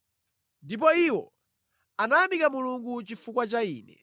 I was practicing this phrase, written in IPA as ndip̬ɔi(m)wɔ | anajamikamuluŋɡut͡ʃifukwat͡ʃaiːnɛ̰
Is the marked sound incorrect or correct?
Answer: incorrect